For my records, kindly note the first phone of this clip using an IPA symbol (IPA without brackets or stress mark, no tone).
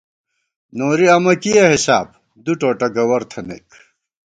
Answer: n